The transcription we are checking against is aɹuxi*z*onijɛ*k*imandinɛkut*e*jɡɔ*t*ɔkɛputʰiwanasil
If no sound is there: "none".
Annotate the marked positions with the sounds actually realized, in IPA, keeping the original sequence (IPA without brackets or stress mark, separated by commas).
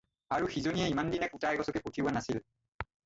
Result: z, none, a, s